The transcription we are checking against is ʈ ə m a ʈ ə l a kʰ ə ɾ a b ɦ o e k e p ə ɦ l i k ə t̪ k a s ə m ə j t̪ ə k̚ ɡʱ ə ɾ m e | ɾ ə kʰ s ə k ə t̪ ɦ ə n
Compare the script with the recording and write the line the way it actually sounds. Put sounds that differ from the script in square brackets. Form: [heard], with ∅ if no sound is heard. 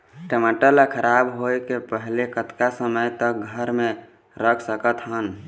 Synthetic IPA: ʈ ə m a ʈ ə l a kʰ ə ɾ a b ɦ o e k e p ə ɦ l [e] k ə t̪ k a s ə m ə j t̪ ə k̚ ɡʱ ə ɾ m e | ɾ ə kʰ s ə k ə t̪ ɦ ə n